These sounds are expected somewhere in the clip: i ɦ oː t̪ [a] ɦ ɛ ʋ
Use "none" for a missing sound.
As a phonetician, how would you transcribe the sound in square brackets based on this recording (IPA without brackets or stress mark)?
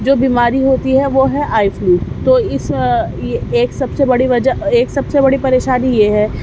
i